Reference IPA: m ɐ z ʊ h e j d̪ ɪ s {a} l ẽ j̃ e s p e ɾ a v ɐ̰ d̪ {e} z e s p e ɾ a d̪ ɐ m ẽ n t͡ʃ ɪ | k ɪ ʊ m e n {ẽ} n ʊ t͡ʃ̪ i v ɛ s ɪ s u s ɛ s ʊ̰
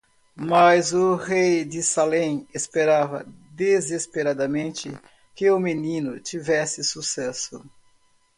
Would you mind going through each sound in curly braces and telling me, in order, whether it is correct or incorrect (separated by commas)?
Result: correct, correct, incorrect